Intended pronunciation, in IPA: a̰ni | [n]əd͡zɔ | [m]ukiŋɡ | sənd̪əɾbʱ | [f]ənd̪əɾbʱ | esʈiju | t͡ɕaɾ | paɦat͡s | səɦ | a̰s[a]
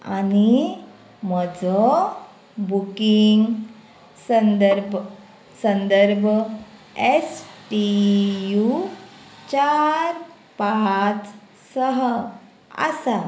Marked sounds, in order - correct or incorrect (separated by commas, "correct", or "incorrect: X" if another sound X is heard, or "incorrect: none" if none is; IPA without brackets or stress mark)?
incorrect: m, incorrect: b, incorrect: s, correct